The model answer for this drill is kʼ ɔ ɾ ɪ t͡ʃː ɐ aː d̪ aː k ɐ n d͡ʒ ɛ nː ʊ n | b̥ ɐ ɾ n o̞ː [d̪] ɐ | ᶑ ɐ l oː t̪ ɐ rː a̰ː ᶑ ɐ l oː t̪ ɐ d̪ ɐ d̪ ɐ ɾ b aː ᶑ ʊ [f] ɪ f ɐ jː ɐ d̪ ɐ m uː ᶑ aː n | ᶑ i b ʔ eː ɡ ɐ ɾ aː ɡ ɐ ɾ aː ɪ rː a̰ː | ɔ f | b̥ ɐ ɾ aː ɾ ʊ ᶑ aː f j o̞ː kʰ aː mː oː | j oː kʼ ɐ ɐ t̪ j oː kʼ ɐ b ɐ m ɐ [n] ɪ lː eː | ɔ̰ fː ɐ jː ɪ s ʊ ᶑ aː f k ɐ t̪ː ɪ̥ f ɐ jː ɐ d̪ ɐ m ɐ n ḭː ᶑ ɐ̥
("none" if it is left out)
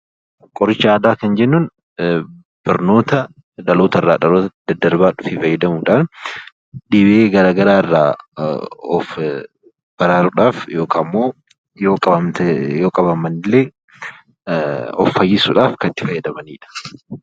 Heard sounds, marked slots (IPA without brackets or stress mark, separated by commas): t̪, f, n